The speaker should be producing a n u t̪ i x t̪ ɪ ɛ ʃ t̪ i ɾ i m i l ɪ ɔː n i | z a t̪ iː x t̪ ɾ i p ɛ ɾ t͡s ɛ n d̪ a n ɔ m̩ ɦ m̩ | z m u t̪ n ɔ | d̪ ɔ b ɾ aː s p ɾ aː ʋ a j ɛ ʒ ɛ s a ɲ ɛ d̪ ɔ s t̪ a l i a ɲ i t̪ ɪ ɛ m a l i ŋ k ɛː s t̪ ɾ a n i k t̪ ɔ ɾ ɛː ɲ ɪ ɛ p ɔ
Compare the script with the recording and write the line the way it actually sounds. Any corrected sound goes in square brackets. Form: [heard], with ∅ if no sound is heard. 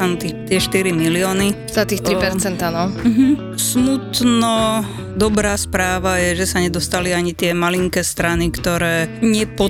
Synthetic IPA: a n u t̪ i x t̪ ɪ ɛ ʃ t̪ i ɾ i m i l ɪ ɔː n i | z a t̪ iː x t̪ ɾ i p ɛ ɾ t͡s ɛ n [t̪] a n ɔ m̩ ɦ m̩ | [s] m u t̪ n ɔ | d̪ ɔ b ɾ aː s p ɾ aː ʋ a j ɛ ʒ ɛ s a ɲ ɛ d̪ ɔ s t̪ a l i a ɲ i t̪ ɪ ɛ m a l i ŋ k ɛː s t̪ ɾ a n i k t̪ ɔ ɾ ɛː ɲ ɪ ɛ p ɔ